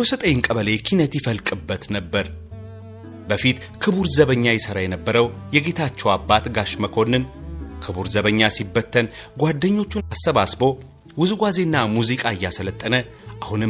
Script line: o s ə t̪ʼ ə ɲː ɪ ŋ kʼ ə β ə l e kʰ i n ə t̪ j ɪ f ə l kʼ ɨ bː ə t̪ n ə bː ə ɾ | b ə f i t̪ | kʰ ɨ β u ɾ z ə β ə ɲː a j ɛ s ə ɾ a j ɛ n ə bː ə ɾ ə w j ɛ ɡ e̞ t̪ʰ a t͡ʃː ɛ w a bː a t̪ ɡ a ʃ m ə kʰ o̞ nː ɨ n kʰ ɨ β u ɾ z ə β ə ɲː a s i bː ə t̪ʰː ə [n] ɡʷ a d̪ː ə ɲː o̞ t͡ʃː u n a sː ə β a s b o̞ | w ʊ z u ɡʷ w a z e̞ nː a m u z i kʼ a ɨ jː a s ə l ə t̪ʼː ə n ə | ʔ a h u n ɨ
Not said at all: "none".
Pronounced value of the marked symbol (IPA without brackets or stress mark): n